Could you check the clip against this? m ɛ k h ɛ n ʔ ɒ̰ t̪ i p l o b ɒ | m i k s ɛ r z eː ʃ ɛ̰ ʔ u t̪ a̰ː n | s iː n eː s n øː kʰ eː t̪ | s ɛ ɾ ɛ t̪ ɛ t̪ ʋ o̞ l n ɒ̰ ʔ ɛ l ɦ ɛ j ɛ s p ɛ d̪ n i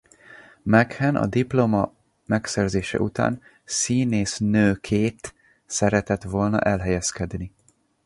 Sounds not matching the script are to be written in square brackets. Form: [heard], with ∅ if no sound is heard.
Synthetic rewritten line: m ɛ k h ɛ n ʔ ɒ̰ [d̪] i p l o [m] ɒ | m [ɛ] k s ɛ r z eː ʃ ɛ̰ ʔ u t̪ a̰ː n | s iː n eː s n øː kʰ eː t̪ | s ɛ ɾ ɛ t̪ ɛ t̪ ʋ o̞ l n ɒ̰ ʔ ɛ l ɦ ɛ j ɛ s [k] ɛ d̪ n i